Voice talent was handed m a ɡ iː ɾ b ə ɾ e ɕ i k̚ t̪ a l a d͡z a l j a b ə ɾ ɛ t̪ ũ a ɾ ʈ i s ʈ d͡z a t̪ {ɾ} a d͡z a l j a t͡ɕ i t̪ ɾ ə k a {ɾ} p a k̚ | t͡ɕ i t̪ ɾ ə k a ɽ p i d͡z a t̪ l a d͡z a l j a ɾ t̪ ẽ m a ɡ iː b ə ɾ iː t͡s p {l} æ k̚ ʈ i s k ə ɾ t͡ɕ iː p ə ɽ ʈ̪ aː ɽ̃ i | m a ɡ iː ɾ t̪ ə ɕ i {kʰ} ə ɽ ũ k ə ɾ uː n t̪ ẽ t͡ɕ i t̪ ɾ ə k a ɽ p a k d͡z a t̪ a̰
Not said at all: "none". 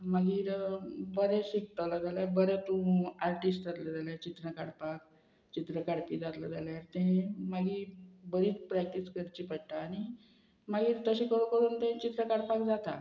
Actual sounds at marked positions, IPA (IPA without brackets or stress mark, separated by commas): l, ɽ, ɾ, k